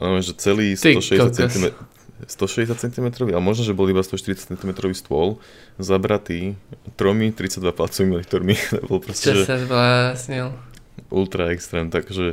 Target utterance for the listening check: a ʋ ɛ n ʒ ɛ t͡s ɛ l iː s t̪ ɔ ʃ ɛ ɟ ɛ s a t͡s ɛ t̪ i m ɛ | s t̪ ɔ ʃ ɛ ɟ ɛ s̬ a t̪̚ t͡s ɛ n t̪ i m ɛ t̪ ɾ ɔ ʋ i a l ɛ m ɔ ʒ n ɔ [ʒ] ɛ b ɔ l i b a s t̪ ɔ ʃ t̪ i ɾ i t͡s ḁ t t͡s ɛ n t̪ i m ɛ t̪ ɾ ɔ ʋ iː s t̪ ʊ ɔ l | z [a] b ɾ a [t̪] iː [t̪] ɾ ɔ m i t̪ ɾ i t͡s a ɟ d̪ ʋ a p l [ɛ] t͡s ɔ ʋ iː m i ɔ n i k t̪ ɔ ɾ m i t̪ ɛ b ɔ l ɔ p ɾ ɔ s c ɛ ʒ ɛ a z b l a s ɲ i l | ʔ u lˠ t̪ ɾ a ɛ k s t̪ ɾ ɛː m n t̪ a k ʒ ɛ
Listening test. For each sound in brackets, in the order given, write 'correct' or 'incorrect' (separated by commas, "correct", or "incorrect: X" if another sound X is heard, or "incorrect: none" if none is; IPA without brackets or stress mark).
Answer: correct, correct, correct, correct, incorrect: a